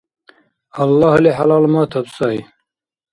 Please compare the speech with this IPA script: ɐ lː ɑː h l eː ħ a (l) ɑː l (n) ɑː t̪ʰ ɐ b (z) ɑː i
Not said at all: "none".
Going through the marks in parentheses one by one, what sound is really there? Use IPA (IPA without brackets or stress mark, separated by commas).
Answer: l, m, s